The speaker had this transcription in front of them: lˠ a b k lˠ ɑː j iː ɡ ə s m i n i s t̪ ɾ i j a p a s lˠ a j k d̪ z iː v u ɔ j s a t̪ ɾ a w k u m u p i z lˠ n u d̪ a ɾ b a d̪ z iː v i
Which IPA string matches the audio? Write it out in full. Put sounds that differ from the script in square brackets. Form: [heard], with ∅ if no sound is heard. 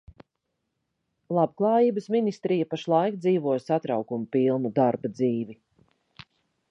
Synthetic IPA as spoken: lˠ a b k lˠ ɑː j iː [b] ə s m i n i s t̪ ɾ i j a p a [ʃ] lˠ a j k d̪ z iː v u ɔ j s a t̪ ɾ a w k u m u p i [∅] lˠ n u d̪ a ɾ b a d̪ z iː v i

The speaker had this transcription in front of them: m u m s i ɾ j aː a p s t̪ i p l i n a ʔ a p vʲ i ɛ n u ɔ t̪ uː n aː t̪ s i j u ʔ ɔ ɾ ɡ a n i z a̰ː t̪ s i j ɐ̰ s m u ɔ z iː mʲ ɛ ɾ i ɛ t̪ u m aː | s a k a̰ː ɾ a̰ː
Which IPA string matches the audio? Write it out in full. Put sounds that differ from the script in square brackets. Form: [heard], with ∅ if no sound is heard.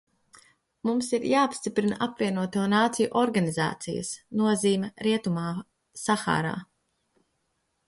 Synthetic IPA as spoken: m u m s i ɾ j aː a p s t̪ i p [ɾ] i n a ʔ a p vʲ i ɛ n u ɔ t̪ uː n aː t̪ s i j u ʔ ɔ ɾ ɡ a n i z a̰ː t̪ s i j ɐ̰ s [n] u ɔ z iː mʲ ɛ ɾ i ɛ t̪ u m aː | s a [x] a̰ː ɾ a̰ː

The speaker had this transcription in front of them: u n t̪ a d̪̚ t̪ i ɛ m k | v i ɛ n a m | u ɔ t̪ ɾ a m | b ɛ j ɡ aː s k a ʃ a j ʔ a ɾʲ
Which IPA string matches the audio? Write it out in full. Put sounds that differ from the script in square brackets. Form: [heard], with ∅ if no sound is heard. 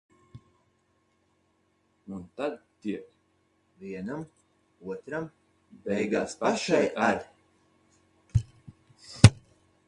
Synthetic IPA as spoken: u n t̪ a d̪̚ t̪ i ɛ [∅] k | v i ɛ n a m | u ɔ t̪ ɾ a m | b ɛ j ɡ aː s [p] a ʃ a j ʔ a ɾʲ

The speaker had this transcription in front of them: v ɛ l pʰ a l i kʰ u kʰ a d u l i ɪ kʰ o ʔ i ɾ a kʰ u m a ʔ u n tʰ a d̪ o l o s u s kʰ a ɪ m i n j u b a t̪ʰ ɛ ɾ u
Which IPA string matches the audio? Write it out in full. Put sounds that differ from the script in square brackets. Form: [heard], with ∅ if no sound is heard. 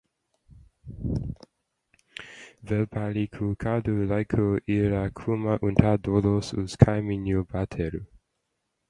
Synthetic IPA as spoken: v ɛ l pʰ a l i kʰ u kʰ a d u l [a] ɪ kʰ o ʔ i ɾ a kʰ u m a ʔ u n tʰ a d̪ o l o s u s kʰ a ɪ m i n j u b a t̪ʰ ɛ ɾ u

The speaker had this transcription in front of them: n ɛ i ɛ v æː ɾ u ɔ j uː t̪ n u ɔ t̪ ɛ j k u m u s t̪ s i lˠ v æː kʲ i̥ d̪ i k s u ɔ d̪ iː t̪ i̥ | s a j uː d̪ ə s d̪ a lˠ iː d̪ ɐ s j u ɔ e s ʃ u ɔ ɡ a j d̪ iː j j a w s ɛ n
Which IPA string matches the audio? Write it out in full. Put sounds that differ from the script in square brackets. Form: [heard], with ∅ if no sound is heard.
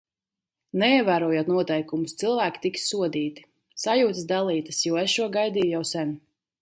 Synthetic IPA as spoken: n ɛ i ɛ v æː ɾ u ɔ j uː t̪ n u ɔ t̪ ɛ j k u m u s t̪ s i lˠ v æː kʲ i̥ [t̪] i k s u ɔ d̪ iː t̪ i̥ | s a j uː [t̪] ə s d̪ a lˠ iː [t̪] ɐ s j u ɔ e s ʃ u ɔ ɡ a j d̪ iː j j a w s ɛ n

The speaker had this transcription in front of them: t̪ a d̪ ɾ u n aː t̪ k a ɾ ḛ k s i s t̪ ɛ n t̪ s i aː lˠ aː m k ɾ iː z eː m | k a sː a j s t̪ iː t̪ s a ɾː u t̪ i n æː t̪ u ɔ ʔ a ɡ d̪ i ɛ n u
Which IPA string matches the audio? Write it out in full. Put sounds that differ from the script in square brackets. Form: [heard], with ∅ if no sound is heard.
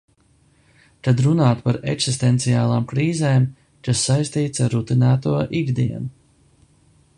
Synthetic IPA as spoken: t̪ a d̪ ɾ u n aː t̪ [p] a ɾ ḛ k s i s t̪ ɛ n t̪ s i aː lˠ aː m k ɾ iː z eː m | k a sː a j s t̪ iː t̪ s a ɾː u t̪ i n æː t̪ u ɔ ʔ [i] ɡ d̪ i ɛ n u

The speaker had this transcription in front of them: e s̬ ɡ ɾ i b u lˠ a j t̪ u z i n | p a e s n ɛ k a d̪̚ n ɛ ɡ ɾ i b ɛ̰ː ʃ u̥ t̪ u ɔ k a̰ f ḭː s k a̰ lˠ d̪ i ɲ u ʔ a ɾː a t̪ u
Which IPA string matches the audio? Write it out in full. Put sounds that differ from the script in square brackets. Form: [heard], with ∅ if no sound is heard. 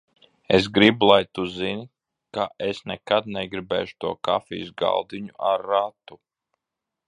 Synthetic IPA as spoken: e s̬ ɡ ɾ i b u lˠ a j t̪ u z i n | [k] a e s n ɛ k a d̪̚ n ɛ ɡ ɾ i b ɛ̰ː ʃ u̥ t̪ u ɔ k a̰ f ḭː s [ɡ] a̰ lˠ d̪ i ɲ u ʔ a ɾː a t̪ u

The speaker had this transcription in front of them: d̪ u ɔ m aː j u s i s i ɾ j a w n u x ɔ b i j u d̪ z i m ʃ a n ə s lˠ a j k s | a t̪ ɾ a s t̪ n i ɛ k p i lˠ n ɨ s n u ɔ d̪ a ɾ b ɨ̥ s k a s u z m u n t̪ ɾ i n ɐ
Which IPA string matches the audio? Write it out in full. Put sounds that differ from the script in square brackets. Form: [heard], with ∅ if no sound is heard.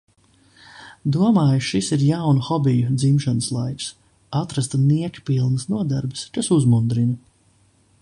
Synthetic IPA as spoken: d̪ u ɔ m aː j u [ʃ] i s i ɾ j a w n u x ɔ b i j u d̪ z i m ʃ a n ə s lˠ a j k s | a t̪ ɾ a s t̪ n i ɛ k p i lˠ n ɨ s n u ɔ d̪ a ɾ b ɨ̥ s k a s u z m u n [d̪] ɾ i n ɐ

